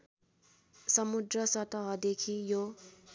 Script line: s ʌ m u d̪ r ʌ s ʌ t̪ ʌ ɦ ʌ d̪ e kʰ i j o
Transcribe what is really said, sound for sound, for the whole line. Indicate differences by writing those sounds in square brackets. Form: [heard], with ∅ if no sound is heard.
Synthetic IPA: s ʌ m u d̪ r ʌ s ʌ t̪ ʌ ɦ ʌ d̪ e kʰ i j o